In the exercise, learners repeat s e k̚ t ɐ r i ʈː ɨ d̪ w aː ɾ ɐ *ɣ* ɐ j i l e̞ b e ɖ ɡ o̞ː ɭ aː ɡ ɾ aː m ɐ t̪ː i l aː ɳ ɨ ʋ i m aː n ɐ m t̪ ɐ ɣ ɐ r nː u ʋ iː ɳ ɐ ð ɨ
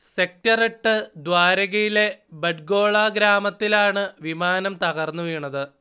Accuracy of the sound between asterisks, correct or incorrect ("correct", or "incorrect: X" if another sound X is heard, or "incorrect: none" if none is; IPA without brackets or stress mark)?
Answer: correct